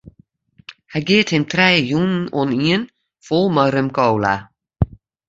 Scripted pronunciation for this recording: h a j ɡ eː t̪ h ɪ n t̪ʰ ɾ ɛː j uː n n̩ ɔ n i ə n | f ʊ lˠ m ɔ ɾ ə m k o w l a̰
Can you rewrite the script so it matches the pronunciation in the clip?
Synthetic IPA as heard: h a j ɡ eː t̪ h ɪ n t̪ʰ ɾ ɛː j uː n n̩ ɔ n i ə n | f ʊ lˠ m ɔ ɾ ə m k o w l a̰